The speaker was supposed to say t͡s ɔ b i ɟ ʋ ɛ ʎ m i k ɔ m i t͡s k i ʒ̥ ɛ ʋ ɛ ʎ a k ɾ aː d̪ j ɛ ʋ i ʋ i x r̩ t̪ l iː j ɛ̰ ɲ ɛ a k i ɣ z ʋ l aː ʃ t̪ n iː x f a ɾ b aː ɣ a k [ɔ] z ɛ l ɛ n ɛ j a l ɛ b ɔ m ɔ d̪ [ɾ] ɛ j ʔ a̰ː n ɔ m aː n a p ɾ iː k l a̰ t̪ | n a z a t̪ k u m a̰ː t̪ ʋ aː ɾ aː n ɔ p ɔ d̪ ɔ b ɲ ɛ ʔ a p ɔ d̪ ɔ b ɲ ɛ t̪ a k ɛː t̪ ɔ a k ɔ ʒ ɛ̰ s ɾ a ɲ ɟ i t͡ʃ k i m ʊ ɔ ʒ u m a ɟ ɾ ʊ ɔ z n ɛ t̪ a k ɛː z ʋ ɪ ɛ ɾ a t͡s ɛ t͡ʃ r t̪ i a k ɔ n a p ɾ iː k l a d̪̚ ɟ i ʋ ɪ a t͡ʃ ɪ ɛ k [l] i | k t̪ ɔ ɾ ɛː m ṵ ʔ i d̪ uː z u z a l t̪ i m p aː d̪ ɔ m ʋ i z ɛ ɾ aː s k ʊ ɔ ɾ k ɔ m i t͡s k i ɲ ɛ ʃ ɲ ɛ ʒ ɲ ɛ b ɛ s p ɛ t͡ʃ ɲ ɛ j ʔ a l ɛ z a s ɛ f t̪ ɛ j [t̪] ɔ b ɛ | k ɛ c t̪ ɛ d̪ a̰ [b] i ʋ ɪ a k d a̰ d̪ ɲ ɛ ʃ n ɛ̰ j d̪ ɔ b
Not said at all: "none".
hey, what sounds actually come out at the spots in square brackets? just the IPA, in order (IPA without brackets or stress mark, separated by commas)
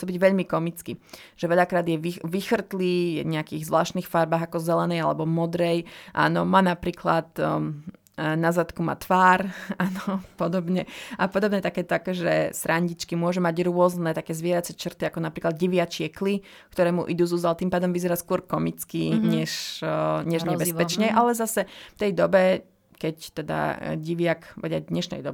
ɔ, ɾ, l, d̪, ɟ